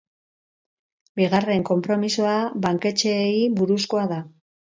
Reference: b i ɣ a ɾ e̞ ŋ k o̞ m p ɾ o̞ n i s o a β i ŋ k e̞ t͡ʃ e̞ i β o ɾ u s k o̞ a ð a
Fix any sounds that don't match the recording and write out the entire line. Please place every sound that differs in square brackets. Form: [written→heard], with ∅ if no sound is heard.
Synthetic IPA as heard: b i ɣ a [ɾ→r] e̞ ŋ k o̞ m p ɾ o̞ [n→m] i s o a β [i→a] ŋ k e̞ t͡ʃ e̞ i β [o→u] ɾ u s k o̞ a ð a